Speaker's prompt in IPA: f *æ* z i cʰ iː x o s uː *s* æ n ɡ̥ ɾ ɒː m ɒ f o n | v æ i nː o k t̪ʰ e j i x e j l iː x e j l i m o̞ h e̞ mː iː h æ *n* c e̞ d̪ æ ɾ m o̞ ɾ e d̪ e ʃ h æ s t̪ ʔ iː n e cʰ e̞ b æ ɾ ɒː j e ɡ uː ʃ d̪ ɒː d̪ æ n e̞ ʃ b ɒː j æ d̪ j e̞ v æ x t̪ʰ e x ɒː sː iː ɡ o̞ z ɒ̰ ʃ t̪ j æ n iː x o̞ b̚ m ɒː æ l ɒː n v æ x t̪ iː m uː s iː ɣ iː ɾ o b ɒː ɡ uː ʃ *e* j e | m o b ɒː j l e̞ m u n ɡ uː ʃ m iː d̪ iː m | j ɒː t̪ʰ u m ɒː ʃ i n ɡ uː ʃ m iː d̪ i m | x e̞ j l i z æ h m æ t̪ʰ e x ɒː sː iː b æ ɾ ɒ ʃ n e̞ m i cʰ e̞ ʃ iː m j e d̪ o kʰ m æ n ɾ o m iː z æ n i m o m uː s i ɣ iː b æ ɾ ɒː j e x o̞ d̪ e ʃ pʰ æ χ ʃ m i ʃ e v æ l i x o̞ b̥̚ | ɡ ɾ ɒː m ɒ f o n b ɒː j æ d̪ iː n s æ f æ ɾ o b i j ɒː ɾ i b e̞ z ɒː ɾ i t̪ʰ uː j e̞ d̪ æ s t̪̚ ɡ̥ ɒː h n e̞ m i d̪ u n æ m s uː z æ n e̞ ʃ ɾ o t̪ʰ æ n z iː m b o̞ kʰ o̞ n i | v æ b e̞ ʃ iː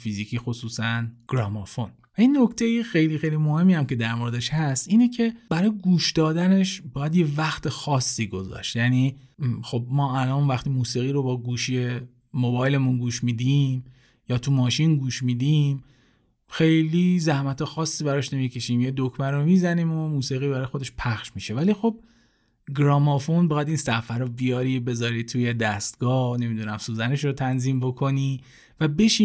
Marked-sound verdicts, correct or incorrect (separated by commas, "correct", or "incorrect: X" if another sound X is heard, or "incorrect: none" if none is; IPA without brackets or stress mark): incorrect: i, correct, incorrect: m, incorrect: i